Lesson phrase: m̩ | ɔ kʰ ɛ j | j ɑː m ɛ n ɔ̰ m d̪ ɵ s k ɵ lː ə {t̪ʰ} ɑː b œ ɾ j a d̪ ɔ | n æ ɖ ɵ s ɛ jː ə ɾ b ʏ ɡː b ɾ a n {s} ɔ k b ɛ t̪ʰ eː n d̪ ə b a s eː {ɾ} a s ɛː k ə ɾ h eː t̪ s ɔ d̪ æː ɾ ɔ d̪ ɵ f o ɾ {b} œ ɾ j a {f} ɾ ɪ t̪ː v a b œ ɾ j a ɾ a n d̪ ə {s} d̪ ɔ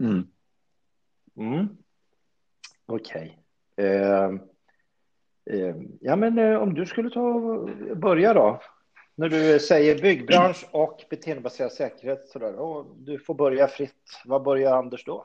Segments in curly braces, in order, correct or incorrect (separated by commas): correct, incorrect, correct, correct, correct, incorrect